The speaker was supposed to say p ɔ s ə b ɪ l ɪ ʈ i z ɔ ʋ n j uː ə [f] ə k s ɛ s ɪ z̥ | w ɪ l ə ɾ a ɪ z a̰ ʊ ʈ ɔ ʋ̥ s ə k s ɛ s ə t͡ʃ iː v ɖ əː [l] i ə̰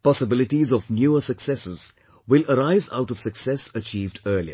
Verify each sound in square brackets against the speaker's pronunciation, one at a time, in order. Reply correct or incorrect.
incorrect: s, correct

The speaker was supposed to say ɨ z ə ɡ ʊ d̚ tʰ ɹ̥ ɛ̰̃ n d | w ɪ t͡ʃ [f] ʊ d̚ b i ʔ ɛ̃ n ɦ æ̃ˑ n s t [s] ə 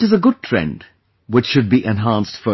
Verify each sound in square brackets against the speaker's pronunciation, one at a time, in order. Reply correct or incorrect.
incorrect: ʃ, incorrect: f

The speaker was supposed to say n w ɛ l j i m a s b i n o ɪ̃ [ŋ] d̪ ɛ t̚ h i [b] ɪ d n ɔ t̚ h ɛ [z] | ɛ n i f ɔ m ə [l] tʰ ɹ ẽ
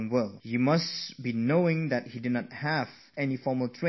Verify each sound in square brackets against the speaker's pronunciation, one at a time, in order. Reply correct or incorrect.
correct, incorrect: d, incorrect: v, correct

